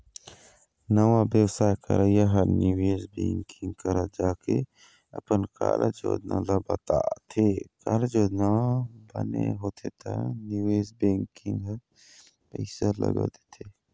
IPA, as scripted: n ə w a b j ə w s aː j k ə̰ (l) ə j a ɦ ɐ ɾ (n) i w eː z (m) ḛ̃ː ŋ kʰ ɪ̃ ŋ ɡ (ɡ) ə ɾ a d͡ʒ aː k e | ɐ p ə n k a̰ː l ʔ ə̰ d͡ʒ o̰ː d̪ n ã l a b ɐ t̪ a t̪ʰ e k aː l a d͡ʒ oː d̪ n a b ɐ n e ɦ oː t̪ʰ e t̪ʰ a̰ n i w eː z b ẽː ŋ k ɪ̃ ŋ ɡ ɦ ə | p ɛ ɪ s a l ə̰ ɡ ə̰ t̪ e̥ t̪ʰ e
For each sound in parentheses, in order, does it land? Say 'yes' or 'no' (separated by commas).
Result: no, yes, no, no